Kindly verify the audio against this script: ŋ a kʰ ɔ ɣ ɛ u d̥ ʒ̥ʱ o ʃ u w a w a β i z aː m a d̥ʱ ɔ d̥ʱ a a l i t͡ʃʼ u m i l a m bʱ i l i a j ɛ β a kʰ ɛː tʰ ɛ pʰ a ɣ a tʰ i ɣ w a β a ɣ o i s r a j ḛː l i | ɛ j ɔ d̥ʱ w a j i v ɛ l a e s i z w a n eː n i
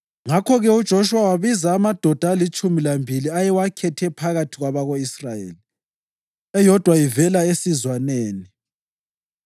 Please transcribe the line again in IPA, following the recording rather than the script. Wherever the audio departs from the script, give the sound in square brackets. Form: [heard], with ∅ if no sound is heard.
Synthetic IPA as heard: ŋ a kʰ ɔ ɣ ɛ u d̥ ʒ̥ʱ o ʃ u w a w a β i z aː m a d̥ʱ ɔ d̥ʱ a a l i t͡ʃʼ u m i l a m bʱ i l i a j ɛ [w] a kʰ [ɛ] tʰ ɛ pʰ a ɣ a tʰ i ɣ w a β a ɣ o i s r a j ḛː l i | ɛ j ɔ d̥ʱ w a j i v ɛ l a e s i z w a n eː n i